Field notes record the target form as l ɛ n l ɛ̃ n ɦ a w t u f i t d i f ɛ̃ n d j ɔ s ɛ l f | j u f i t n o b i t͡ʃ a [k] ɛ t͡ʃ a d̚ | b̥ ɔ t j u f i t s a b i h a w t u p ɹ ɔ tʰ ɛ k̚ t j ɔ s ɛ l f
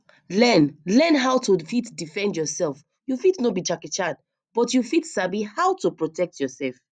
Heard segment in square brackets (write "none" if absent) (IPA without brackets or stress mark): k